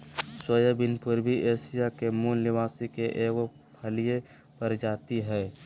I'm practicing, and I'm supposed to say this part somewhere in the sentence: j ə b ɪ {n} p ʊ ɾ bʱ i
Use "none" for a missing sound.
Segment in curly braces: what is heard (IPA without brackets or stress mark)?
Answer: n